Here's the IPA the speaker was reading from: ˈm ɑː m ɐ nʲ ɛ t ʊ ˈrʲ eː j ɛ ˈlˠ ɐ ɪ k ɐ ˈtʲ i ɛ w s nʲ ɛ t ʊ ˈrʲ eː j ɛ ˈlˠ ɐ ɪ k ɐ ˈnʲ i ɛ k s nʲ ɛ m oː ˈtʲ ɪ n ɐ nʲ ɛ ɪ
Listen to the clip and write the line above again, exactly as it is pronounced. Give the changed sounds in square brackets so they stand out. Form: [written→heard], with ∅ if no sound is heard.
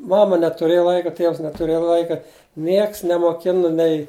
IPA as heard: ˈm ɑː m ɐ nʲ ɛ t ʊ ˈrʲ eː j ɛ ˈlˠ ɐ ɪ k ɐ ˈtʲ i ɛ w s nʲ ɛ t ʊ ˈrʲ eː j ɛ ˈlˠ ɐ ɪ k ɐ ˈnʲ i ɛ k s nʲ ɛ m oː [ˈtʲ→ˈkʲ] ɪ n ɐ nʲ ɛ ɪ